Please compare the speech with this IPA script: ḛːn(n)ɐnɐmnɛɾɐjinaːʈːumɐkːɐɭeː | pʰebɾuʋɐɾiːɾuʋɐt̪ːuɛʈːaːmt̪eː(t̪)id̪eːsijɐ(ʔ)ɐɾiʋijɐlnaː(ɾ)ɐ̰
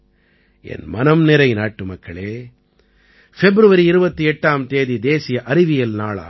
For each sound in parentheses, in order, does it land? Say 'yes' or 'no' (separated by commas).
no, no, yes, no